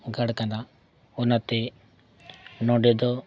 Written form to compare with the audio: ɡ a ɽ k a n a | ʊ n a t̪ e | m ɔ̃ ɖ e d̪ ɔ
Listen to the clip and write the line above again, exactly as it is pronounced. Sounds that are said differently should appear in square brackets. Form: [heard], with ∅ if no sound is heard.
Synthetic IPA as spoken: ɡ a ɽ k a n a | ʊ n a t̪ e | [n] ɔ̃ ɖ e d̪ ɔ